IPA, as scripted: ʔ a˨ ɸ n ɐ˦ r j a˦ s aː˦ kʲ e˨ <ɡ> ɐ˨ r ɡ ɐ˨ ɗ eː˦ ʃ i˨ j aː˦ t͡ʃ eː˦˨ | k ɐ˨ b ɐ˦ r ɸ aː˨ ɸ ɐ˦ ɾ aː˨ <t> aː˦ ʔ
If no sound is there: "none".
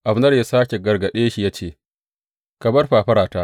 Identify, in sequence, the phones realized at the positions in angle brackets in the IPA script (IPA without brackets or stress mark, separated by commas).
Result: ɡ, t